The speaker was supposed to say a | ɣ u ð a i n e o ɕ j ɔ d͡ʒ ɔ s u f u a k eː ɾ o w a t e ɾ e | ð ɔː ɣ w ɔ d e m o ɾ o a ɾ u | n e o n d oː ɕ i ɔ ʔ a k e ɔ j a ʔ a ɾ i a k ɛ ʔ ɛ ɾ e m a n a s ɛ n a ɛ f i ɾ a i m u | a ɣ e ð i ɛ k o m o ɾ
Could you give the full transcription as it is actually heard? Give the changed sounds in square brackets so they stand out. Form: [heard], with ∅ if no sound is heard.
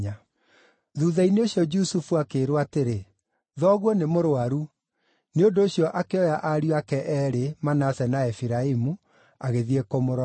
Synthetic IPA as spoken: a | [ð] u ð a i n e o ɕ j ɔ d͡ʒ [u] s u f u a k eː ɾ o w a t e ɾ e | ð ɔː ɣ w ɔ [n] e m o ɾ o a ɾ u | n e o n d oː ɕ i ɔ ʔ a k e ɔ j a ʔ a ɾ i a k ɛ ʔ ɛ ɾ e m a n a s ɛ n a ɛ f i ɾ a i m u | a ɣ e ð i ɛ k o m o ɾ